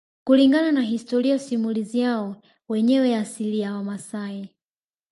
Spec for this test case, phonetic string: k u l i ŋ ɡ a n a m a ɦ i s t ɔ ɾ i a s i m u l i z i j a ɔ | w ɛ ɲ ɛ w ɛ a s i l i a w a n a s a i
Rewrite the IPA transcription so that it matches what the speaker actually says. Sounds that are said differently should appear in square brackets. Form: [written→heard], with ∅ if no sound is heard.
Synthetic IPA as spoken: k u l i ŋ ɡ a n a [m→n] a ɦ i s t ɔ ɾ i a s i m u l i z i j a ɔ | w ɛ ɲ ɛ w ɛ a s i l i a w a [n→m] a s a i